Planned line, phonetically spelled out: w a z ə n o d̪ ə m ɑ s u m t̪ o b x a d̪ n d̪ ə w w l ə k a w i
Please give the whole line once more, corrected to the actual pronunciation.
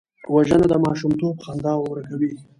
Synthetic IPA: w a ʒ ə n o d̪ ə m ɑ ʃ u m t̪ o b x a n d̪ ɑ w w ɾ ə k a w i